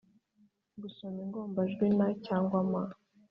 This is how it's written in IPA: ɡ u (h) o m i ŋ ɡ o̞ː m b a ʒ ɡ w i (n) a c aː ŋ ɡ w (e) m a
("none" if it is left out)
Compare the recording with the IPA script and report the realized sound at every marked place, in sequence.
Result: s, n, a

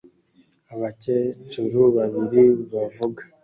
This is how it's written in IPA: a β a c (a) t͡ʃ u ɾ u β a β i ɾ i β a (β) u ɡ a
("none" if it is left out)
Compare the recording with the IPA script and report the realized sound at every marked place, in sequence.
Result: e, v

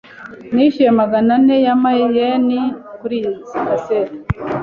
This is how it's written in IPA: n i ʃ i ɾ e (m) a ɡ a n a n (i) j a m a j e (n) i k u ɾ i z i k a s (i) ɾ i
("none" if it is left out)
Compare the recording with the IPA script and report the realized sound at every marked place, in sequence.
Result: m, e, n, e

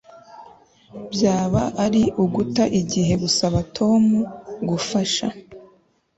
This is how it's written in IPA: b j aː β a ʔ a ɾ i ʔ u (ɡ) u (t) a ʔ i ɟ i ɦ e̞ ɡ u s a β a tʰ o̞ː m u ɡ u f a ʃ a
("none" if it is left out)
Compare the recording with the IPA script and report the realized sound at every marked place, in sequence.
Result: ɡ, t

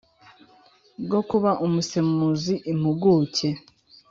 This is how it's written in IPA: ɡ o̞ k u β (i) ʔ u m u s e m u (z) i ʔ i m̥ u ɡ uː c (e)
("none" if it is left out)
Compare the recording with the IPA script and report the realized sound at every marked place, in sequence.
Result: a, z, e

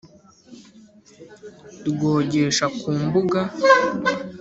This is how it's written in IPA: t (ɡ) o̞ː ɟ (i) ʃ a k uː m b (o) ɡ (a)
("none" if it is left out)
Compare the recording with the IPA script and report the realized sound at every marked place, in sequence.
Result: ɡ, e, u, a

